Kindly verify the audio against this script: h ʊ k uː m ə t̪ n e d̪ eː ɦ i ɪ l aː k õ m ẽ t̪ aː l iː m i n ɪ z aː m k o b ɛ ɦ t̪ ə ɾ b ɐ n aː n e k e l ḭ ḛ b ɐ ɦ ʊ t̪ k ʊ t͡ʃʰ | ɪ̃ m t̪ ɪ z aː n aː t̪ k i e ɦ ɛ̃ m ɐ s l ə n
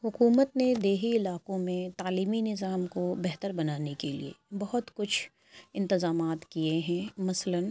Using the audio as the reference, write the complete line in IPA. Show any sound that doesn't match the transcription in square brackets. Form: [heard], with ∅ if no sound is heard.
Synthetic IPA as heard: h ʊ k uː m ə t̪ n e d̪ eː ɦ i ɪ l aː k õ m ẽ t̪ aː l iː m i n ɪ z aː m k o b ɛ ɦ t̪ ə ɾ b ɐ n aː n e k e l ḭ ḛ b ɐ ɦ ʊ t̪ k ʊ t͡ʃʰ | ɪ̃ [n] t̪ ɪ z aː [m] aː t̪ k i e ɦ ɛ̃ m ɐ s l ə n

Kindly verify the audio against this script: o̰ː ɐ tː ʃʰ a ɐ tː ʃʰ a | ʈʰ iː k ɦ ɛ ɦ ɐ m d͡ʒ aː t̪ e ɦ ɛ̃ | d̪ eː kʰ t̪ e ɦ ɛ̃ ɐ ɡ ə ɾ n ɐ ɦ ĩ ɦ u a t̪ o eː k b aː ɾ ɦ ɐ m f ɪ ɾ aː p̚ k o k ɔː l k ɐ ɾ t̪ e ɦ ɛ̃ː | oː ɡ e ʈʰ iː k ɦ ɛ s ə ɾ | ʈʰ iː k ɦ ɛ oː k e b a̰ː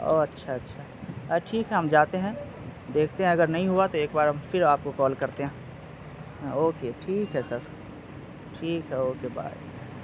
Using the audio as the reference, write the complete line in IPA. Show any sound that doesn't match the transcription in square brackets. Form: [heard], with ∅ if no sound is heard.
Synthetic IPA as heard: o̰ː ɐ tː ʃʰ a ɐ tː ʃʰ a | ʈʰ iː k ɦ ɛ ɦ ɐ m d͡ʒ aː t̪ e ɦ ɛ̃ | d̪ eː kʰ t̪ e ɦ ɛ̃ ɐ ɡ ə ɾ n ɐ ɦ ĩ ɦ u a t̪ o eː k b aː ɾ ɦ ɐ m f ɪ ɾ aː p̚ k o k ɔː l k ɐ ɾ t̪ e ɦ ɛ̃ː | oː [k] e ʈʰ iː k ɦ ɛ s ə ɾ | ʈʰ iː k ɦ ɛ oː k e b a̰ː

